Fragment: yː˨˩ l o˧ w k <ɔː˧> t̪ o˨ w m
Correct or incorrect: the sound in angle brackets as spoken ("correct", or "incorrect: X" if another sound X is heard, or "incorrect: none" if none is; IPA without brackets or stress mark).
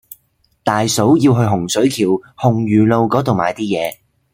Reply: incorrect: ɔː˨˥